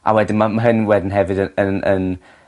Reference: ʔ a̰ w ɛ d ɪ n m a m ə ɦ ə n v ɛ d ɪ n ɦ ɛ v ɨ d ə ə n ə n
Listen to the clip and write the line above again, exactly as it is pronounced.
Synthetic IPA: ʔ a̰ w ɛ d ɪ n m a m a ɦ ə n w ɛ d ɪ n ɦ ɛ v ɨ d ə ə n ə n